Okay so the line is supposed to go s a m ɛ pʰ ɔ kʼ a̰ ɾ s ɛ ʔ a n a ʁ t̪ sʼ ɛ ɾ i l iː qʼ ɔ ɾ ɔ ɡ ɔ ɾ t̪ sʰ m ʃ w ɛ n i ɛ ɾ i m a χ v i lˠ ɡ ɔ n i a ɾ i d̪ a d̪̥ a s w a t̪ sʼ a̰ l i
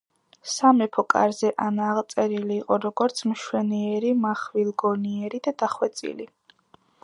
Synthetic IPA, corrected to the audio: s a m ɛ pʰ ɔ kʼ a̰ ɾ z ɛ ʔ a n a ʁ t̪ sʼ ɛ ɾ i l iː qʼ ɔ ɾ ɔ ɡ ɔ ɾ t̪ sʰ m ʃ w ɛ n i ɛ ɾ i m a χ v i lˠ ɡ ɔ n i ɛ ɾ i d̪ a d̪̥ a χ w ɛ t̪ sʼ ḭ l i